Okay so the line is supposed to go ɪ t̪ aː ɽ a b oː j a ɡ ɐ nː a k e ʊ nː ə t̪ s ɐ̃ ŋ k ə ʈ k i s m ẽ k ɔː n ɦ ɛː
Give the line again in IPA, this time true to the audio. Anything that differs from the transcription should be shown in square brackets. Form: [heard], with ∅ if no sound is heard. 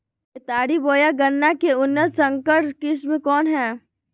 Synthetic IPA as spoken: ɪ t̪ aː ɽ [i] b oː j a ɡ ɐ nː a k e ʊ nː ə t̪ s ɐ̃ ŋ k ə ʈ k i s m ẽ k ɔː n ɦ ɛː